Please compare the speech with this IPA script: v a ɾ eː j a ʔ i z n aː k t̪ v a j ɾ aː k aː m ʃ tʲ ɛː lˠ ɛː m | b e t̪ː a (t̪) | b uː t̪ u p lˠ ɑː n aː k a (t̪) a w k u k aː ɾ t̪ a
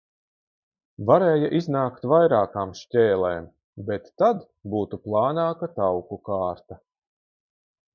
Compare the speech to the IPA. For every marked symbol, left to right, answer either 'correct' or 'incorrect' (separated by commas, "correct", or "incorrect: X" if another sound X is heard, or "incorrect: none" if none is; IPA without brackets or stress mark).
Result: incorrect: d̪, correct